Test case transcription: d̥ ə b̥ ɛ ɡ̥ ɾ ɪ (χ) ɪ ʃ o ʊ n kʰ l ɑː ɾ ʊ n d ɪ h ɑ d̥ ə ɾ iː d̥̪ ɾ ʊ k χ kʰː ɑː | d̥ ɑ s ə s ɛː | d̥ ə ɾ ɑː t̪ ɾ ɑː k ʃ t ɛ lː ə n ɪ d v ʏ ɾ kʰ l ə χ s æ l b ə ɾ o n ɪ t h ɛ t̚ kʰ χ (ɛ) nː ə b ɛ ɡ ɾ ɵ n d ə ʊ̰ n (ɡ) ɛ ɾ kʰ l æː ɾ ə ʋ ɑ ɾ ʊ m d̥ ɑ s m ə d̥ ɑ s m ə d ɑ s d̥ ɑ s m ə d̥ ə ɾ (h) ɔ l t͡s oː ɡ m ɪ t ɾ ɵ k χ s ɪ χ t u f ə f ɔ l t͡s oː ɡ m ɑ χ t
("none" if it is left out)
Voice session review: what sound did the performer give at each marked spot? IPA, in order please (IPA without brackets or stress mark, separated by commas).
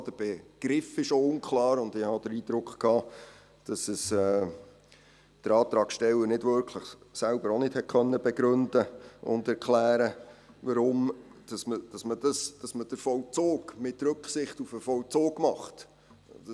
f, œ, d, f